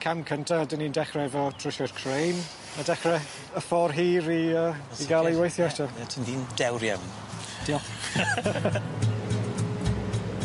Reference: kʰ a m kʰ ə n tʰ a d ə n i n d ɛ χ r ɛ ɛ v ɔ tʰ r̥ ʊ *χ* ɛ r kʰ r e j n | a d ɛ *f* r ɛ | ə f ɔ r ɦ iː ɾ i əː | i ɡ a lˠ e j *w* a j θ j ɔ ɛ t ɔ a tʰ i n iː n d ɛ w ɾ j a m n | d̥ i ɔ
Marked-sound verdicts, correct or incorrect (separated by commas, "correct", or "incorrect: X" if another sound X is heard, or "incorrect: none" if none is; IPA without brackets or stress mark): incorrect: ʃ, incorrect: χ, correct